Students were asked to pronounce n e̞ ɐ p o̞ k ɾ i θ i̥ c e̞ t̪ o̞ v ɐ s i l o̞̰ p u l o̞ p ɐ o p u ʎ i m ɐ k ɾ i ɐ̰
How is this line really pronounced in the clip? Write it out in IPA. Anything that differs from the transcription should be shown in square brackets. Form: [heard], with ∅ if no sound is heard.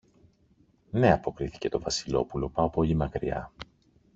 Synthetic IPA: n e̞ ɐ p o̞ k ɾ i θ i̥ c e̞ t̪ o̞ v ɐ s i l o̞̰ p u l o̞ p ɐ o p [o] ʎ i m ɐ k ɾ i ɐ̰